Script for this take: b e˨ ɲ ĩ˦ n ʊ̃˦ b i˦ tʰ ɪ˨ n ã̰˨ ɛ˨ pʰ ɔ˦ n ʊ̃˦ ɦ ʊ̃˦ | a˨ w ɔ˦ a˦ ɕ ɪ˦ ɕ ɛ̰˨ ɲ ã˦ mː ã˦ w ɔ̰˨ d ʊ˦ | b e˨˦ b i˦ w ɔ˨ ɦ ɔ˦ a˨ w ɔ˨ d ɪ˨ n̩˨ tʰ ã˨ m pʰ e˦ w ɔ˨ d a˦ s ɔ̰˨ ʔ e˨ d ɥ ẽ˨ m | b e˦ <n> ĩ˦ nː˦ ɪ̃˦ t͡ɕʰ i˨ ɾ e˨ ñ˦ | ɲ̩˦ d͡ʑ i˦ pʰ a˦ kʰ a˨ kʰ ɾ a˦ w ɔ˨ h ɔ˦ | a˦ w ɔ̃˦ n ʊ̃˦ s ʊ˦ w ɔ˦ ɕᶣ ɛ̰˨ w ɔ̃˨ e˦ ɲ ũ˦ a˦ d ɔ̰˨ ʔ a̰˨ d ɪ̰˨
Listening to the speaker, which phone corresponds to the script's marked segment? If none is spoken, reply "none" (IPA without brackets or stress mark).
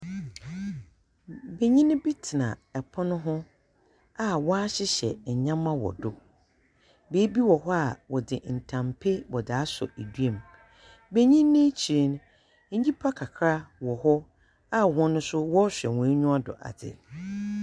ɲ